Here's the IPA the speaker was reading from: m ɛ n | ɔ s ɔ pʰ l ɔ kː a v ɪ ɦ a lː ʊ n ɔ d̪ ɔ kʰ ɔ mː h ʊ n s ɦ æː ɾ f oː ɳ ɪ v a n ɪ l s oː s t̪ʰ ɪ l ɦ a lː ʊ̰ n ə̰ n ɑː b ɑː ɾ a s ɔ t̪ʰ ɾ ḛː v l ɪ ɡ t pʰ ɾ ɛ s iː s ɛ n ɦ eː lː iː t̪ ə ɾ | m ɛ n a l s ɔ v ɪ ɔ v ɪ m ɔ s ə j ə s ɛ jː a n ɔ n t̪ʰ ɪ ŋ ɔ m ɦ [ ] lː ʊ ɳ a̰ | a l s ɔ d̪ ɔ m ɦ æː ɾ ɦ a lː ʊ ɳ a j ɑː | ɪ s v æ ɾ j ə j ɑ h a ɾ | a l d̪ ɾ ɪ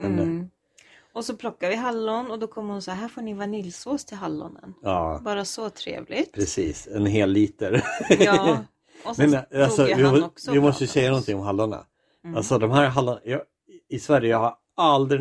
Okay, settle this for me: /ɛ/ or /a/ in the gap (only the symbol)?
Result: a